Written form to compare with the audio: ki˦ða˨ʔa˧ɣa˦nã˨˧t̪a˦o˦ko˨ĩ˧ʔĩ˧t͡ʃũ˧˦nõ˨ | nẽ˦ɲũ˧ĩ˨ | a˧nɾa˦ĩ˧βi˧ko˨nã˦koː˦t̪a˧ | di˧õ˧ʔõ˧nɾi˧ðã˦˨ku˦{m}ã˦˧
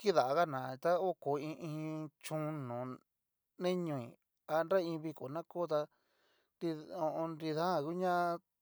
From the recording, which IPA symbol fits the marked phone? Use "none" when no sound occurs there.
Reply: ɲ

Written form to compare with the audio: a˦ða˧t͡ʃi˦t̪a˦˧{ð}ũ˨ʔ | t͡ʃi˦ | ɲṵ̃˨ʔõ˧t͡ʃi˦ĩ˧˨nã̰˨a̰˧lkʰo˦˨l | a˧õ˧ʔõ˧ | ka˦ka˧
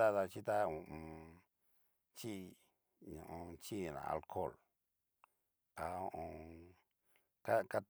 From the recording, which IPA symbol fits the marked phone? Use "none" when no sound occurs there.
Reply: none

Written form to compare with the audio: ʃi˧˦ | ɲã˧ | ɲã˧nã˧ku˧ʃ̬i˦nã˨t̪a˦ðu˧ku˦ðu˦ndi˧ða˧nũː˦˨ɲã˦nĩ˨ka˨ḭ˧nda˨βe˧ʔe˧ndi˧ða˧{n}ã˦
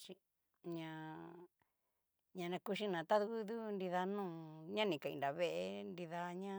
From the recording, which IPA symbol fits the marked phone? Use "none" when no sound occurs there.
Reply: ɲ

